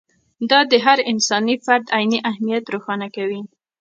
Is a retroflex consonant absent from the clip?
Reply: yes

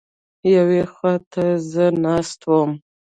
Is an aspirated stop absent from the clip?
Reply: no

